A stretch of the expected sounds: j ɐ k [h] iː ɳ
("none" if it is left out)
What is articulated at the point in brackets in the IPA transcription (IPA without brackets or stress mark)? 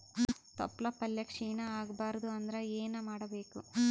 ʂ